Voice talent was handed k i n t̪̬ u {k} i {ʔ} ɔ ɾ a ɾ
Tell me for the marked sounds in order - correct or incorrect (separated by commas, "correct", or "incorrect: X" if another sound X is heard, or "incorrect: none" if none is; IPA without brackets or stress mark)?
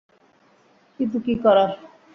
correct, incorrect: k